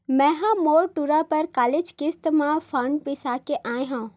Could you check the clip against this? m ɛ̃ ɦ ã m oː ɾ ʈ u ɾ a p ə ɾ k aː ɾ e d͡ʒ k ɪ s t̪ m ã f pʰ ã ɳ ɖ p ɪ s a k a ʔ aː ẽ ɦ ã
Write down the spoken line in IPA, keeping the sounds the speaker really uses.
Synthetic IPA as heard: m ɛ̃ ɦ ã m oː ɾ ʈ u ɾ a p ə ɾ k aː l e d͡ʒ k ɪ s t̪ m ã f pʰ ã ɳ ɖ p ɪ s a k e ʔ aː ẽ ɦ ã